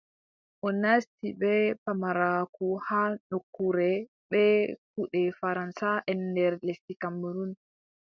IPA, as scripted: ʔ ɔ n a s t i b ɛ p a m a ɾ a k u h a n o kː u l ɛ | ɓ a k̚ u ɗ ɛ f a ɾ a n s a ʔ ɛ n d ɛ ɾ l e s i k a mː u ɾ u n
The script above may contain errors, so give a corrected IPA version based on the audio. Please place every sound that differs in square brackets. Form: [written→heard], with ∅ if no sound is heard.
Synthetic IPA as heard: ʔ ɔ n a s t i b ɛ p a m a ɾ a k u h a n o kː u [l→ɾ] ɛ | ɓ [a→ɛ] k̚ u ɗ ɛ f a ɾ a n s a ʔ ɛ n d ɛ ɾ l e s i k a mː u ɾ u n

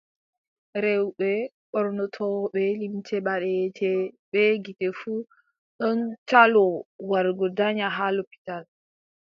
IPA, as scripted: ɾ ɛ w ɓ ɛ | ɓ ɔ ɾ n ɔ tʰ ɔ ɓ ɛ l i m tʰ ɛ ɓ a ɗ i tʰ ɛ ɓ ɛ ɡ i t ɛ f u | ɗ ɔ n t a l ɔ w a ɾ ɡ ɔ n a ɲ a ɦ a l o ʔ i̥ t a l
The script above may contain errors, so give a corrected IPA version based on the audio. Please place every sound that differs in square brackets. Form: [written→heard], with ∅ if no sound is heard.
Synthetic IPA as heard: ɾ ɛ w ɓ ɛ | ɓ ɔ ɾ n ɔ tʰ ɔ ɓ ɛ l i m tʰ ɛ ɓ a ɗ [i→ɛ] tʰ ɛ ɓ ɛ ɡ i t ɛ f u | ɗ ɔ n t a l ɔ w a ɾ ɡ ɔ [n→d] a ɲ a ɦ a l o [ʔ→p] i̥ t a l

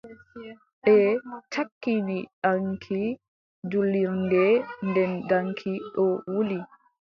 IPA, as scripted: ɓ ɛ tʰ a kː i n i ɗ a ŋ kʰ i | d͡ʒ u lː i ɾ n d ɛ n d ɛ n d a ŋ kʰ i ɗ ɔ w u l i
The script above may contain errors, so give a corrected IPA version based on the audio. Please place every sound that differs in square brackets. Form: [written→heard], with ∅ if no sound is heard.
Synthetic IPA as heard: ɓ ɛ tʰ a kː i n i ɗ a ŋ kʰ i | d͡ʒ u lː i ɾ n d ɛ n d ɛ n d a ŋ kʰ i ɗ ɔ w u l i

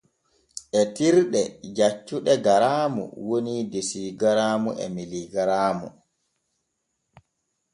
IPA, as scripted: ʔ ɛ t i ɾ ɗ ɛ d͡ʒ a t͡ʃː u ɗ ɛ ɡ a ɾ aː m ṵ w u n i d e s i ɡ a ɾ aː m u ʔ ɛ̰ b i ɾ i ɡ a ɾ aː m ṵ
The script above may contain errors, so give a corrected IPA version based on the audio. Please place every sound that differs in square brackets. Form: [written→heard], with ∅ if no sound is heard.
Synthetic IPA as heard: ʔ ɛ t i ɾ ɗ ɛ d͡ʒ a t͡ʃː u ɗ ɛ ɡ a ɾ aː m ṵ w [u→o] n i d e s i ɡ a ɾ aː m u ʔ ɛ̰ [b→m] i [ɾ→l] i ɡ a ɾ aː m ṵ

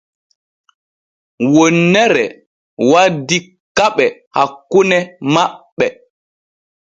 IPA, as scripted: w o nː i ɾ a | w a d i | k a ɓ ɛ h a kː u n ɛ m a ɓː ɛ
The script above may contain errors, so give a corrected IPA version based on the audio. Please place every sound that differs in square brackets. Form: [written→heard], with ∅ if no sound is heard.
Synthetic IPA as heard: w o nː [i→ɛ] ɾ [a→ɛ] | w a d i | k a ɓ ɛ h a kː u n ɛ m a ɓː ɛ

